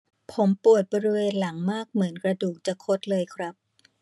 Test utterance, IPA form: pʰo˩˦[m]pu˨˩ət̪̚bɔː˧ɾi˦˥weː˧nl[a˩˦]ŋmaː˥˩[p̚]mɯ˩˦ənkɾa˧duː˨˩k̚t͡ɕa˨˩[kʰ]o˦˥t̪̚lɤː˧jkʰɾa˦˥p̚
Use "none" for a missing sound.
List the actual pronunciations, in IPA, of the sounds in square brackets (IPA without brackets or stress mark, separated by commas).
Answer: m, a˩˦, k̚, kʰ